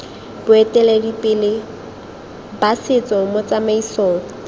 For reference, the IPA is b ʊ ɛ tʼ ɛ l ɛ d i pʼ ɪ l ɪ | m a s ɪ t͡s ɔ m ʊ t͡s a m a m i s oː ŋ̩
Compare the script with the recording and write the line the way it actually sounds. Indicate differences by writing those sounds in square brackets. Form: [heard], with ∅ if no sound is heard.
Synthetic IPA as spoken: b ʊ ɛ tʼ ɛ l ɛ d i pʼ ɪ l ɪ | [b] a s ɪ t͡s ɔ m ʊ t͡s a m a [∅] i s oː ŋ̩